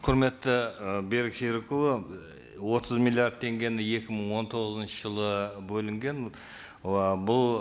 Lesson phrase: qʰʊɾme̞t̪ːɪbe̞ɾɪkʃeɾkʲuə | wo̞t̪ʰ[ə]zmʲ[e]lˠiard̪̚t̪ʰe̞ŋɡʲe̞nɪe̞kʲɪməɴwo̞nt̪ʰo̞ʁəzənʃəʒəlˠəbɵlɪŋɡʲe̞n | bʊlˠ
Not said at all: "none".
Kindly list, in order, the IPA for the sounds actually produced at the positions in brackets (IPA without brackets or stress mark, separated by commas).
ə, i